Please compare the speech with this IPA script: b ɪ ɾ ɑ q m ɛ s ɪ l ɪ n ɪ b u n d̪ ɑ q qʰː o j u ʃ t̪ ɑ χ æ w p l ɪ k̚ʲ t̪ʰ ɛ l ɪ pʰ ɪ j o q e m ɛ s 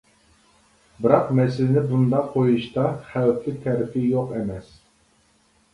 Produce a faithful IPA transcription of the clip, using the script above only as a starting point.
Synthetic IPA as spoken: b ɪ ɾ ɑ q m ɛ s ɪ l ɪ n ɪ b u n d̪ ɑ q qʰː o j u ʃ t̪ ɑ χ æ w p l ɪ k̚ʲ t̪ʰ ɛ ɾ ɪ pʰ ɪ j o q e m ɛ s